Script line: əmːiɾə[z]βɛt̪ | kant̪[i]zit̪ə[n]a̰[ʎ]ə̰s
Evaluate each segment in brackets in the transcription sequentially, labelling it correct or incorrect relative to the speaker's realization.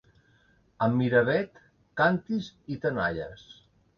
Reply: incorrect: none, correct, correct, correct

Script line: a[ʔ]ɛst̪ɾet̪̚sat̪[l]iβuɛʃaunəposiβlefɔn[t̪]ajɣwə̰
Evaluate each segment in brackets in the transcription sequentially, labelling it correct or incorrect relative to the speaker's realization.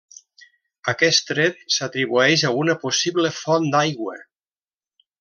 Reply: incorrect: k, incorrect: ɾ, incorrect: d̪

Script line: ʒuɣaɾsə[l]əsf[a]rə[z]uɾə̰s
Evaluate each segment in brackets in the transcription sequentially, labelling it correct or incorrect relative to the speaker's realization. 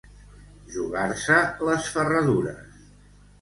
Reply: correct, incorrect: ə, incorrect: ð

